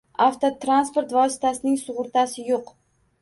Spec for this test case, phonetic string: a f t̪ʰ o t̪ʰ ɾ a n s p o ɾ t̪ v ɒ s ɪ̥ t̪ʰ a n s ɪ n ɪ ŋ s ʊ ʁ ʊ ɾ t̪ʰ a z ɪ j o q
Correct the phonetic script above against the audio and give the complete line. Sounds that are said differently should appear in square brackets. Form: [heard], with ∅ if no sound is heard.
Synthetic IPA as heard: a f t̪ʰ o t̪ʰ ɾ a n s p o ɾ t̪ v ɒ s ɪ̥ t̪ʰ a [∅] s ɪ n ɪ ŋ s ʊ ʁ ʊ ɾ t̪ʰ a [s] ɪ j o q